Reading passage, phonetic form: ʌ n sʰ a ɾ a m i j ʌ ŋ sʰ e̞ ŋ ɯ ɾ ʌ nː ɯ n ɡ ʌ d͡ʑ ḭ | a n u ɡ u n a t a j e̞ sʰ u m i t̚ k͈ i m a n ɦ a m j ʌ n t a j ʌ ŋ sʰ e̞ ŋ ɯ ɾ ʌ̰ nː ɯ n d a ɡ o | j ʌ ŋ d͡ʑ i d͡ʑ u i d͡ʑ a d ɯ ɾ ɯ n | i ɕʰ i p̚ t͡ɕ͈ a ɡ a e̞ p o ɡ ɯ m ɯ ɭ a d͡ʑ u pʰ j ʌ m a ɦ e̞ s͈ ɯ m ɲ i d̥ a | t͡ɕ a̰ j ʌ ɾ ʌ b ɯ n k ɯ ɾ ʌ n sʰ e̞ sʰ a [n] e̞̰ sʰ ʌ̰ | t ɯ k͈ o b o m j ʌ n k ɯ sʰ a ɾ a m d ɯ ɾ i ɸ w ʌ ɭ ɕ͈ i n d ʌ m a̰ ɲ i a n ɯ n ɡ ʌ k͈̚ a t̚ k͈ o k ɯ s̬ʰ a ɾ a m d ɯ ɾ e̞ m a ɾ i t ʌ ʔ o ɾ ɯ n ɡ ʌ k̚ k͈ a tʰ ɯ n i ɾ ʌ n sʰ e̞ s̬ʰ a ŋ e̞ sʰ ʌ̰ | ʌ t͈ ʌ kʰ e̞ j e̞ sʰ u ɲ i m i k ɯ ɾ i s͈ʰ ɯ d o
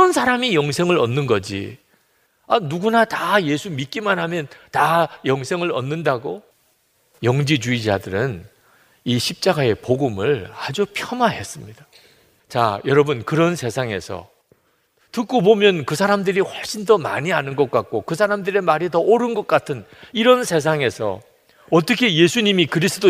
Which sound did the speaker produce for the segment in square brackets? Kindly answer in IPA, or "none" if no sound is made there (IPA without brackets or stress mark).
ŋ